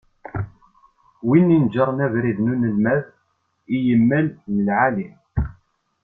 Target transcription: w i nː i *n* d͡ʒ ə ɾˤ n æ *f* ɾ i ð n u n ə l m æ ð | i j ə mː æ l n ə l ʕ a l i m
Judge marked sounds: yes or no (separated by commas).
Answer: yes, no